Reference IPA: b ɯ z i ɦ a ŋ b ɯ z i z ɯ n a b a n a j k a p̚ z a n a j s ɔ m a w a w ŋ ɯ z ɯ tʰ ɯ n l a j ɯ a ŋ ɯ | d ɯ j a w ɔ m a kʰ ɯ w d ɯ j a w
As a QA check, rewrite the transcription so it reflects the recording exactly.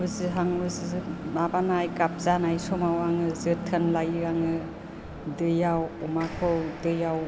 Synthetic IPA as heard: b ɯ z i ɦ a ŋ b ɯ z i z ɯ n a b a n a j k a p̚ z a n a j s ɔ m a w a ŋ ɯ z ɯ tʰ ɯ n l a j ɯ a ŋ ɯ | d ɯ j a w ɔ m a kʰ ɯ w d ɯ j a w